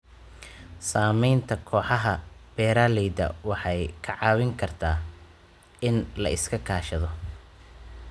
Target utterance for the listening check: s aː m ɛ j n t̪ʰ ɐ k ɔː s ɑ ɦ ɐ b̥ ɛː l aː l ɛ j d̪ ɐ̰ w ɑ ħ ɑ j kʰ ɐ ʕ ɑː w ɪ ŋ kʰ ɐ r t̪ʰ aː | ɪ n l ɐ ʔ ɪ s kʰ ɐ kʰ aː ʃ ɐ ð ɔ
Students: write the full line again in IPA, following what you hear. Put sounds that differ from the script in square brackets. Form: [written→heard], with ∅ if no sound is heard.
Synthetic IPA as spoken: s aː m ɛ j n t̪ʰ ɐ [k→kʰ] ɔː [s→ħ] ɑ ɦ ɐ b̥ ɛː [l→ɾ] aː l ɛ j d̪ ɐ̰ w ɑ ħ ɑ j kʰ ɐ ʕ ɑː w ɪ ŋ kʰ ɐ r t̪ʰ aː | ɪ n l ɐ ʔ ɪ s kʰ ɐ kʰ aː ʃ ɐ ð ɔ

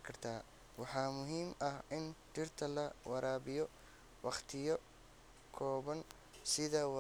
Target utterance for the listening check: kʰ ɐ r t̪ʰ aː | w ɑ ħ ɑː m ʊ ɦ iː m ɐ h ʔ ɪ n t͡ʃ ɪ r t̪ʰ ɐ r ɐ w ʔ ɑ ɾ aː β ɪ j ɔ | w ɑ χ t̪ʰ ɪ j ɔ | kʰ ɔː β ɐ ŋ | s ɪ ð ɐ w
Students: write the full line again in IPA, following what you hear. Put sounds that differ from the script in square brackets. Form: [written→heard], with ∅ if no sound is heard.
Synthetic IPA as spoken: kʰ ɐ r t̪ʰ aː | w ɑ ħ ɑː m ʊ ɦ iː m ɐ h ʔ ɪ n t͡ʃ ɪ r t̪ʰ ɐ [r→l] ɐ w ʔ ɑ ɾ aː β ɪ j ɔ | w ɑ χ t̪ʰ ɪ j ɔ | kʰ ɔː β ɐ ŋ | s ɪ ð ɐ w

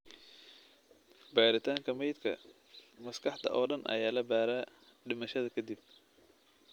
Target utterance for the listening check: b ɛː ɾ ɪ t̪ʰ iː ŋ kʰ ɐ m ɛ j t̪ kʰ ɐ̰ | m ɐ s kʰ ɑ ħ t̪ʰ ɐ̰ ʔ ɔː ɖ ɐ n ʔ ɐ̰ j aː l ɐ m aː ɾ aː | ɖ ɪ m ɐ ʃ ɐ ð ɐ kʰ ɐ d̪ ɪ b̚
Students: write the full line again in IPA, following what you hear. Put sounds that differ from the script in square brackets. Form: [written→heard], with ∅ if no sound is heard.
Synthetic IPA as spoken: b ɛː ɾ ɪ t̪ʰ [iː→aː] ŋ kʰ ɐ m ɛ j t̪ kʰ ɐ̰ | m ɐ s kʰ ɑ ħ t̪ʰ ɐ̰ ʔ ɔː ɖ ɐ n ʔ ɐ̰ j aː l ɐ [m→b] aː ɾ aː | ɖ ɪ m ɐ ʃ ɐ ð ɐ kʰ ɐ d̪ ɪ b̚

